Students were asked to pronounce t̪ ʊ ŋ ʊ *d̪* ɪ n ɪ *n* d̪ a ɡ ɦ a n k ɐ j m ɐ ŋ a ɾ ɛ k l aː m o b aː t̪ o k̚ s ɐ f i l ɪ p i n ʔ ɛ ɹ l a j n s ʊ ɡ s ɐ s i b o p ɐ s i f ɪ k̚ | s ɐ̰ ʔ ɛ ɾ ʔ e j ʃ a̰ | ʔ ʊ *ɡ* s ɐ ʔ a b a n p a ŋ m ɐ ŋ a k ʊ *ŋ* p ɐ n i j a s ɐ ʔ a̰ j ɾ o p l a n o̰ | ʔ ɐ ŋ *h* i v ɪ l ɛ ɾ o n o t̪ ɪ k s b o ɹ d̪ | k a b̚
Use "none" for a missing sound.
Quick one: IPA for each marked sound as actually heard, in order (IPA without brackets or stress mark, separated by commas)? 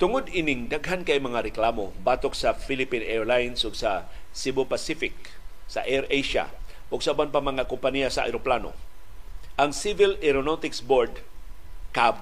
d̪, ŋ, ɡ, m, s